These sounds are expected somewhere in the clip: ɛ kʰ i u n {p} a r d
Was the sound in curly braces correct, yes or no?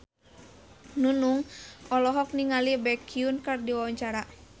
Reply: no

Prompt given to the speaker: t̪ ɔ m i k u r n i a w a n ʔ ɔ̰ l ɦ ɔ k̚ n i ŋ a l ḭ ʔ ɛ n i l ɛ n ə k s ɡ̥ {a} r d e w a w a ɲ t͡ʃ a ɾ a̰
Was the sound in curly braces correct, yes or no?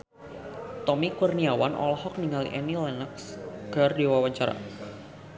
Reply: yes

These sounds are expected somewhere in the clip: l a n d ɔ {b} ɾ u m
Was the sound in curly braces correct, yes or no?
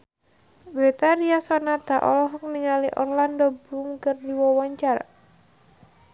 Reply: yes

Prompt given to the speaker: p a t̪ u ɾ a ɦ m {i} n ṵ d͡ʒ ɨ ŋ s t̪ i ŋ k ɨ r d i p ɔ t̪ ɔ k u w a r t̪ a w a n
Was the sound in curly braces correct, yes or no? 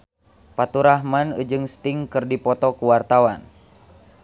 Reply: no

